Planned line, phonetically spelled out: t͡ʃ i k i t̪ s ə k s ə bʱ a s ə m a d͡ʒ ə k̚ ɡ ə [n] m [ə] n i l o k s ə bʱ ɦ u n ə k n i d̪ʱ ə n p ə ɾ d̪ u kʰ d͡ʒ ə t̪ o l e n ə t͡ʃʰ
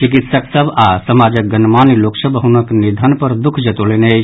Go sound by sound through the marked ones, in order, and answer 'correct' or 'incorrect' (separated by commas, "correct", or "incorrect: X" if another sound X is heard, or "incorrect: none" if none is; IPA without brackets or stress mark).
correct, incorrect: a